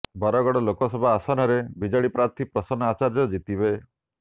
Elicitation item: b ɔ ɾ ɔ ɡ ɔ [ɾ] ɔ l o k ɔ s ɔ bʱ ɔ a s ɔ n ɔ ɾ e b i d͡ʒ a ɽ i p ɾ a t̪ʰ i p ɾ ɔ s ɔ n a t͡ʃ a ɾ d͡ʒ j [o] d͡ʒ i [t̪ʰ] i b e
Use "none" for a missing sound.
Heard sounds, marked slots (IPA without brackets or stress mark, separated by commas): ɽ, ɔ, t̪